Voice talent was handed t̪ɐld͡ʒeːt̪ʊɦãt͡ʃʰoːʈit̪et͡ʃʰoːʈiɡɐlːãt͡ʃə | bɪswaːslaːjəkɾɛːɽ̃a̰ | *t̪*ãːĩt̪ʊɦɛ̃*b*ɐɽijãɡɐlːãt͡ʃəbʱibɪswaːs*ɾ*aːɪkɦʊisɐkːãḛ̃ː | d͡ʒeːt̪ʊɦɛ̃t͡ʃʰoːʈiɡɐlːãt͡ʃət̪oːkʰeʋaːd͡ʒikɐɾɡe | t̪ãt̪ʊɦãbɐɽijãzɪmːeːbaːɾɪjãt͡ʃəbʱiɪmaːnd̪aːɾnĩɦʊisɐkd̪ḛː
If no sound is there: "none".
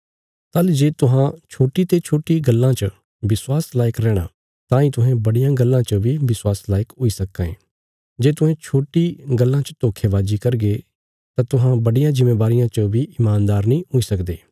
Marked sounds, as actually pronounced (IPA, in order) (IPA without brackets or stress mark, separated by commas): t̪, b, l